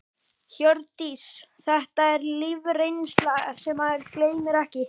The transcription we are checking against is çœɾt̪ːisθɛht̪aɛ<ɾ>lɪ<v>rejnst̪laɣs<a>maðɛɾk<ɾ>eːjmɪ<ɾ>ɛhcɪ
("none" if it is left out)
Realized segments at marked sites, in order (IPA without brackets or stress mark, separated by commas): ɾ, v, ɛ, l, ɾ